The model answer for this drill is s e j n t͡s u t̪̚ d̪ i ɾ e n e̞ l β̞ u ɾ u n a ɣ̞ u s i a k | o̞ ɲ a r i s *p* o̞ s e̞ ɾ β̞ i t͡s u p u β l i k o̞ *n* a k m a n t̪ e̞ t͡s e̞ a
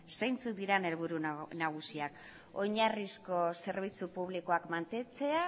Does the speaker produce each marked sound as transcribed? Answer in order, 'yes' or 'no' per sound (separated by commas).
no, no